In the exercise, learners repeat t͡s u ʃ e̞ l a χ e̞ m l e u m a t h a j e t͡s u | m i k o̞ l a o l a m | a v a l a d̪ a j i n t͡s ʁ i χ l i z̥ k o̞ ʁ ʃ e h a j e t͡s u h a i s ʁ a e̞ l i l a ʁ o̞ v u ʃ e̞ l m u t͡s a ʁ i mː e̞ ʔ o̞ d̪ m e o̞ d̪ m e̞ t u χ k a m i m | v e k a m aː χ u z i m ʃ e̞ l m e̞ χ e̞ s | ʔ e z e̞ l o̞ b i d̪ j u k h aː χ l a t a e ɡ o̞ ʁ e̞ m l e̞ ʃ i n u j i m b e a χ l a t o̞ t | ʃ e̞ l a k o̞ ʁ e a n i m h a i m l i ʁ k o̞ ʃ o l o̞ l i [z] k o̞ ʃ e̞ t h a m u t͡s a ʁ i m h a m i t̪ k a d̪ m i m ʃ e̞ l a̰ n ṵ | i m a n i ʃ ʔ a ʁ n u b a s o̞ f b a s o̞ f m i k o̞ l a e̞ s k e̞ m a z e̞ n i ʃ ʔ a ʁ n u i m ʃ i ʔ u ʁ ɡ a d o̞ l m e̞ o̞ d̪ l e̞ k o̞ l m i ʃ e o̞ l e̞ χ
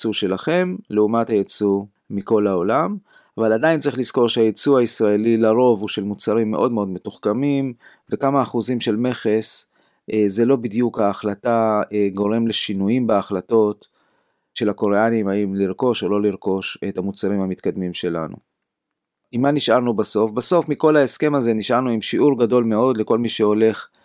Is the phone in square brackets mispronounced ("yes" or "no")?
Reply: yes